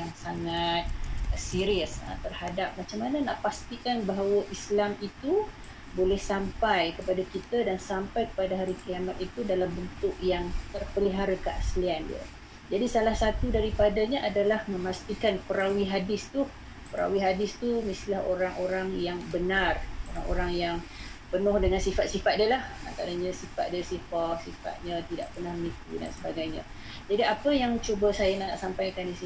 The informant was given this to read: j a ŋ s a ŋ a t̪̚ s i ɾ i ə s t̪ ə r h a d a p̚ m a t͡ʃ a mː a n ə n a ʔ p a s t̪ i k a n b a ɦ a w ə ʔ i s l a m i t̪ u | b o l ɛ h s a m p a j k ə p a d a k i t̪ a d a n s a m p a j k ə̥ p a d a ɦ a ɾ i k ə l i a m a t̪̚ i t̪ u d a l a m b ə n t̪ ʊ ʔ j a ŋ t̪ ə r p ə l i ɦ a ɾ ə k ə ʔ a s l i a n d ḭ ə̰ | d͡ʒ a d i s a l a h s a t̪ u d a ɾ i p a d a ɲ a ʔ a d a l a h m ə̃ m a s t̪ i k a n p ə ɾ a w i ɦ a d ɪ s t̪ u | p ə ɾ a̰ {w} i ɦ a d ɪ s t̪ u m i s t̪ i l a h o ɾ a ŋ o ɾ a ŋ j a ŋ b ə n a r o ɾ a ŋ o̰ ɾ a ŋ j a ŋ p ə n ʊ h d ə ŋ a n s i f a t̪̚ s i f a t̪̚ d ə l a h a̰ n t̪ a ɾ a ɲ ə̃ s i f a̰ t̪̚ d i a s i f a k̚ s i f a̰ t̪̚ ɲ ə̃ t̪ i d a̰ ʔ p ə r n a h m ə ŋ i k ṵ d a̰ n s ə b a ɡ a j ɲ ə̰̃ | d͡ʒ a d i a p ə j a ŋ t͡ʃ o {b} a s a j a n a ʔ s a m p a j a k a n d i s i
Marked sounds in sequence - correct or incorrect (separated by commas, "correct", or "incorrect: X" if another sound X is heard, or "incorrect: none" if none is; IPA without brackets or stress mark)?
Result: correct, correct